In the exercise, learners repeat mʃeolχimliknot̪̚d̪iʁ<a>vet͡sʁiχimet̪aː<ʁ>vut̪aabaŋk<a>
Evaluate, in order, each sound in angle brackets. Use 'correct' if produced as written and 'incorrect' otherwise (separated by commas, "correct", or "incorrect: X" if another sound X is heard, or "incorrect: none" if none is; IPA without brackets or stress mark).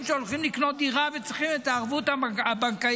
correct, correct, correct